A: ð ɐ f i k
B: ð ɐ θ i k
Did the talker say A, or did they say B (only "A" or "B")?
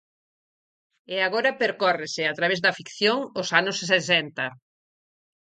A